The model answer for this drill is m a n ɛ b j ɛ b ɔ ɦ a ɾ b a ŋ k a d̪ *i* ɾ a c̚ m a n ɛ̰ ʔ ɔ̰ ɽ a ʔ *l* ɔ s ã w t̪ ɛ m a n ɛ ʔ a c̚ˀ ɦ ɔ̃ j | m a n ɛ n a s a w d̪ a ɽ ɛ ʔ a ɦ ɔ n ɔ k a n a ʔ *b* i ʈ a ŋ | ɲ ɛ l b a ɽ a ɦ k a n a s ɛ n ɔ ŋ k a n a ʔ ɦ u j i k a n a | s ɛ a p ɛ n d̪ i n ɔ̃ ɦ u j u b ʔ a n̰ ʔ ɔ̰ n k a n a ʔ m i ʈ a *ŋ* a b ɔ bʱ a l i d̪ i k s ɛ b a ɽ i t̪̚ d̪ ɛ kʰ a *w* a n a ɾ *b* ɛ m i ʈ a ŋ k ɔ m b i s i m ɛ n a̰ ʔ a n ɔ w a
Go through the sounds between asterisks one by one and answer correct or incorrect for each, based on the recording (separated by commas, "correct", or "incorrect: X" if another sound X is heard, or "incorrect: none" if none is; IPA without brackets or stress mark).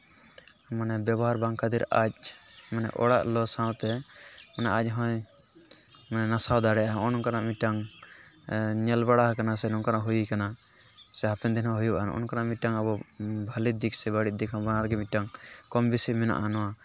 correct, correct, incorrect: m, correct, incorrect: b, incorrect: ɡ